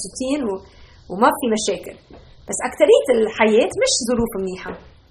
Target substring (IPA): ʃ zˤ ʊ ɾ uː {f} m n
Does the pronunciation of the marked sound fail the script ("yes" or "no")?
no